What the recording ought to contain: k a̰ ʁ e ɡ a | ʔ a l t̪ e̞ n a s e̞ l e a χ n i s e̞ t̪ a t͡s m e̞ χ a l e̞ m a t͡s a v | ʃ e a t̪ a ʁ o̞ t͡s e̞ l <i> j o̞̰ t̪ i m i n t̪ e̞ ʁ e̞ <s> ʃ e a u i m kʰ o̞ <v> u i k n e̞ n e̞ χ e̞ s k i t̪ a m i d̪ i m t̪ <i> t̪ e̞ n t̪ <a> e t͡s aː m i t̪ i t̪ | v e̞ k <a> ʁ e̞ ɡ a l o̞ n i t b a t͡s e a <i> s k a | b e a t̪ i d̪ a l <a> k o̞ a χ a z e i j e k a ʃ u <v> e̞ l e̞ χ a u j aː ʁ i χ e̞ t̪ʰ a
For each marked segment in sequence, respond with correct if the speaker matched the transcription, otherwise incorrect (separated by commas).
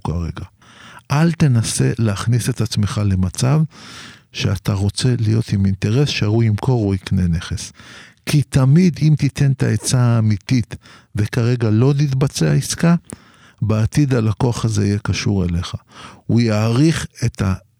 correct, correct, incorrect, correct, correct, correct, correct, correct, incorrect